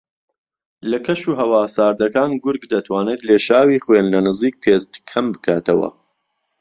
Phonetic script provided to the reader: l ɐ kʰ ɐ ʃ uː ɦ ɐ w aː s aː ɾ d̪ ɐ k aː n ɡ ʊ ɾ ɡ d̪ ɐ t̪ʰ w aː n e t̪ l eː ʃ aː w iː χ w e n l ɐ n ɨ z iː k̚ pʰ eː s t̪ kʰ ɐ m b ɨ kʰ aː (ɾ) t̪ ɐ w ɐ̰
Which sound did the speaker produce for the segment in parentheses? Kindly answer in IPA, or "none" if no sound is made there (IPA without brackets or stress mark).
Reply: none